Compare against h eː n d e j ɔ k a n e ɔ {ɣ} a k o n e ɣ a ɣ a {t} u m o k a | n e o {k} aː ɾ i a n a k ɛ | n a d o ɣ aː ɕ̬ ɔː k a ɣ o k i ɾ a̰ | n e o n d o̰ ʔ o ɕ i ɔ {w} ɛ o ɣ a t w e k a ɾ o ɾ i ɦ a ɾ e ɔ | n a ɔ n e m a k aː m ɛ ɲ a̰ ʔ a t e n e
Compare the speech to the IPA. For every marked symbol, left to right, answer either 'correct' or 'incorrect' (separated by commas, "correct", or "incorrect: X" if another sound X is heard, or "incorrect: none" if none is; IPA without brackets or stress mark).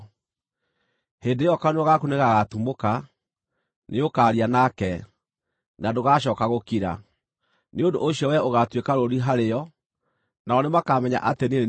correct, correct, correct, correct